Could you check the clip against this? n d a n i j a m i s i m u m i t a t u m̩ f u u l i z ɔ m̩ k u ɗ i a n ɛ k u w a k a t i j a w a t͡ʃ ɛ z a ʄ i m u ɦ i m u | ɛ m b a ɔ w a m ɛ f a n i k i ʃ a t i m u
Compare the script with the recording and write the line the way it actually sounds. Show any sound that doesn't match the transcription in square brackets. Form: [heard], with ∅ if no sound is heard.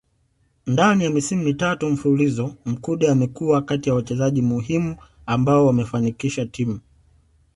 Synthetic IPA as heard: n d a n i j a m i s i m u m i t a t u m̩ f u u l i z ɔ m̩ k u ɗ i a [m] ɛ k u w a k a t i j a w a t͡ʃ ɛ z a ʄ i m u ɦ i m u | [a] m b a ɔ w a m ɛ f a n i k i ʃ a t i m u